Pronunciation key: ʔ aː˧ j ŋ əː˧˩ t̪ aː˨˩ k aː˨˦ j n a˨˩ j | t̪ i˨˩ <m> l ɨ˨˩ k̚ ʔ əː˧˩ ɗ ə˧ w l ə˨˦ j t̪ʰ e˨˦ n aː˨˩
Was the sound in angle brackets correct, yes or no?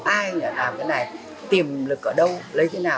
yes